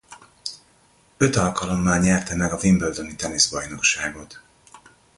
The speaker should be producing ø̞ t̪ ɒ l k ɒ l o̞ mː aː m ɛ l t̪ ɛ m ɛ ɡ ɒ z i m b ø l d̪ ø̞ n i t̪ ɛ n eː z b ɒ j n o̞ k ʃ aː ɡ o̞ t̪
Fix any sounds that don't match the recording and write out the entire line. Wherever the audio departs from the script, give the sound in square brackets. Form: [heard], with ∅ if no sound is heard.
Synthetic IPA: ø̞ t̪ ɒ l k ɒ l o̞ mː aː [ɲ] ɛ [r] t̪ ɛ m ɛ ɡ ɒ [v] i m b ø l d̪ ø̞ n i t̪ ɛ n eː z b ɒ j n o̞ k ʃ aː ɡ o̞ t̪